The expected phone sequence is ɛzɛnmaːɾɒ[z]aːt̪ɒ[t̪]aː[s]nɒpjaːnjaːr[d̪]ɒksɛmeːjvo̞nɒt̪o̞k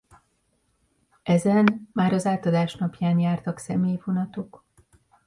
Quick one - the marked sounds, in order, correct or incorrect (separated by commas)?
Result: correct, incorrect, incorrect, incorrect